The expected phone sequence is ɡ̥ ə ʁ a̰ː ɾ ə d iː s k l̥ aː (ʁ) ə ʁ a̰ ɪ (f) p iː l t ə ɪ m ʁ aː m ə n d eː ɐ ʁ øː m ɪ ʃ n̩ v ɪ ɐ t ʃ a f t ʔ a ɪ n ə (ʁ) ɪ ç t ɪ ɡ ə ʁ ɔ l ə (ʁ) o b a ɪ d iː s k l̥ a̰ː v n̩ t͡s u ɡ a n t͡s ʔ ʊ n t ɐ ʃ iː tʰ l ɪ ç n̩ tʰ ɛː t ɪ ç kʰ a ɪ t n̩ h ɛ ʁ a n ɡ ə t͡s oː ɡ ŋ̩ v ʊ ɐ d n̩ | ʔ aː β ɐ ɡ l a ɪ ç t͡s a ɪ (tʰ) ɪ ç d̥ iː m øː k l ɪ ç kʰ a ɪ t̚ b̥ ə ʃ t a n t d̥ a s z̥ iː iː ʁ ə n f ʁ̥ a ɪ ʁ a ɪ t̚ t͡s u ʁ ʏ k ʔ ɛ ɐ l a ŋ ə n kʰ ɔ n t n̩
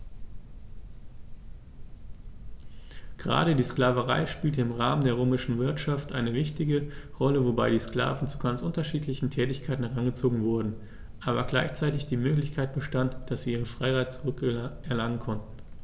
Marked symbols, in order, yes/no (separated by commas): no, no, no, no, no